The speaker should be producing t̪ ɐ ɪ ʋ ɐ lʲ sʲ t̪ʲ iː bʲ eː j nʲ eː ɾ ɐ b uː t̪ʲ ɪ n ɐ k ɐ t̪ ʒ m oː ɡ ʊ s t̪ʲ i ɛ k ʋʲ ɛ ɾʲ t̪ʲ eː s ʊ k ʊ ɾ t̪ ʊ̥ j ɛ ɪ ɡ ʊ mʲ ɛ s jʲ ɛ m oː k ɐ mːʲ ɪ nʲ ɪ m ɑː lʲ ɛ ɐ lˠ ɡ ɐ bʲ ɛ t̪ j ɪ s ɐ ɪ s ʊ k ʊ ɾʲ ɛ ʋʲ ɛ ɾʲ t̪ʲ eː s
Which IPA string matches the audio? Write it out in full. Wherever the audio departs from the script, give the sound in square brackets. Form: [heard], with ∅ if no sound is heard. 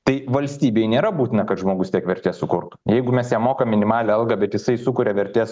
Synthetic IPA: t̪ ɐ ɪ ʋ ɐ lʲ sʲ t̪ʲ iː bʲ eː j nʲ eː ɾ ɐ b uː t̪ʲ ɪ n ɐ k ɐ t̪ ʒ m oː ɡ ʊ s t̪ʲ i ɛ k ʋʲ ɛ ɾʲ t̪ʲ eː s ʊ k ʊ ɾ t̪ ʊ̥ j ɛ ɪ ɡ ʊ mʲ ɛ s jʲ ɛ m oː k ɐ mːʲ ɪ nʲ ɪ m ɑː lʲ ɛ ɐ lˠ ɡ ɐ bʲ ɛ t̪ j ɪ s ɐ ɪ s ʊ k ʊ ɾʲ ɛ ʋʲ ɛ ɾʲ t̪ʲ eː s